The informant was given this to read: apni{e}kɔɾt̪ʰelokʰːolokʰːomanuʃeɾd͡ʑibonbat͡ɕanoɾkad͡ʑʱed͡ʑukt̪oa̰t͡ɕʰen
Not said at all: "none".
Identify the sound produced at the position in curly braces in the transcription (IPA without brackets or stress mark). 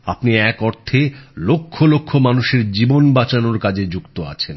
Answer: ɛ